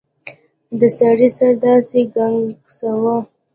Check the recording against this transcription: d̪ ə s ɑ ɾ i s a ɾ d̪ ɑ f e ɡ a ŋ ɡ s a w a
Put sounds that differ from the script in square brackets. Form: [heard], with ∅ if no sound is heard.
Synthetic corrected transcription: d̪ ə s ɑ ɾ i s a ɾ d̪ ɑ [s] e ɡ a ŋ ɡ s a w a